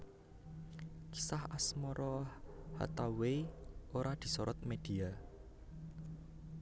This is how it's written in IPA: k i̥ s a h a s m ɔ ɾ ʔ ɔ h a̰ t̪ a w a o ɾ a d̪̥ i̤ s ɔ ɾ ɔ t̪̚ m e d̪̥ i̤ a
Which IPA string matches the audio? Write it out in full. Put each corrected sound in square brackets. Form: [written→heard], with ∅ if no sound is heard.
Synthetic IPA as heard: k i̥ s a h a s m ɔ ɾ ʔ ɔ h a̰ t̪ a w [a→e] o ɾ a d̪̥ i̤ s ɔ ɾ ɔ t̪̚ m e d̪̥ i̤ a